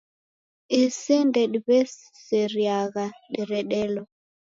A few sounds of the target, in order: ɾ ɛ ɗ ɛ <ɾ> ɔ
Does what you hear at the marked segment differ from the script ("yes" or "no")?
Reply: yes